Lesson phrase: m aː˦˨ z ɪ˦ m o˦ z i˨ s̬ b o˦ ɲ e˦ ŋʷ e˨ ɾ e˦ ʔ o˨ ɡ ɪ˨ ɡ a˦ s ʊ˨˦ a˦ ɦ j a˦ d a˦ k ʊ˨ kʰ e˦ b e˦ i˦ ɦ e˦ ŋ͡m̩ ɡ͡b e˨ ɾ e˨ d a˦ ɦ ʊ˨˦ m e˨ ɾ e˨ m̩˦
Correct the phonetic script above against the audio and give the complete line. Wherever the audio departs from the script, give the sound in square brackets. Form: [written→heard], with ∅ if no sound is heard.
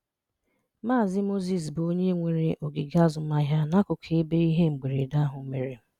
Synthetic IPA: m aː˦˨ z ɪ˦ m o˦ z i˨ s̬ b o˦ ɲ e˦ ŋʷ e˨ ɾ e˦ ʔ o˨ ɡ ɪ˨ ɡ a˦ [s→z] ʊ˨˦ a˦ ɦ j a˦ [d→n] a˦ k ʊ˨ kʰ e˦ b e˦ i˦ ɦ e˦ ŋ͡m̩ ɡ͡b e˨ ɾ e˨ d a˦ ɦ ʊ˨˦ m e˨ ɾ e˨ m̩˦